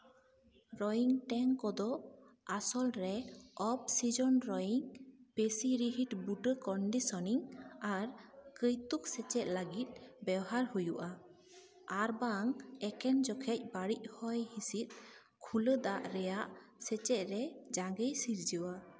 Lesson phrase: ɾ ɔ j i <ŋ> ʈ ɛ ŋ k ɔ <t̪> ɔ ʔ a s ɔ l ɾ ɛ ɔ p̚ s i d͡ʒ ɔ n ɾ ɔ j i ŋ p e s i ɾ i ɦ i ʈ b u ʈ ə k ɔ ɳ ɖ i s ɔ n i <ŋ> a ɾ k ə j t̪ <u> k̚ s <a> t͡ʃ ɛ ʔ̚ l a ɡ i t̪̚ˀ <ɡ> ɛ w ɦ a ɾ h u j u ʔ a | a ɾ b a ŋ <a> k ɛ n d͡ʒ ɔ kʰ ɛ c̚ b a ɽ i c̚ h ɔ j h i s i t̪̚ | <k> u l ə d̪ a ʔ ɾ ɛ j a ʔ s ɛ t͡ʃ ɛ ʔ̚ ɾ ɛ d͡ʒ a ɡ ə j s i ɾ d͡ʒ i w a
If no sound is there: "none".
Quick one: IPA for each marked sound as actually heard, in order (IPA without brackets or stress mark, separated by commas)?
ŋ, d̪, ŋ, u, ɛ, b, ɛ, kʰ